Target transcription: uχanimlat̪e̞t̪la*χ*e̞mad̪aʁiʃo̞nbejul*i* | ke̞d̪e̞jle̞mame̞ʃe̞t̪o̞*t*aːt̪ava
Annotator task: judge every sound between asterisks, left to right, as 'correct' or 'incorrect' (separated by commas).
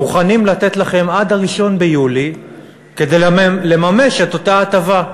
correct, correct, correct